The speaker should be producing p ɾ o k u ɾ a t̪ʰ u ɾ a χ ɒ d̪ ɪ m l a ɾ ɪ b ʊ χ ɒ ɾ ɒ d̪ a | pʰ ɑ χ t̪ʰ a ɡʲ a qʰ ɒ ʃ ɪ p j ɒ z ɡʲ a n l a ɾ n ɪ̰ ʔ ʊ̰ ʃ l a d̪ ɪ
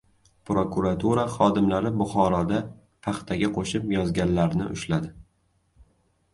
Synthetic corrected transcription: p ɾ o k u ɾ a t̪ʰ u ɾ a χ ɒ d̪ ɪ m l a ɾ ɪ b ʊ χ ɒ ɾ ɒ d̪ a | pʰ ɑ χ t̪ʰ a ɡʲ a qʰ o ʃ ɪ p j ɒ z ɡʲ a n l a ɾ n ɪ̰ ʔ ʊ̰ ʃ l a d̪ ɪ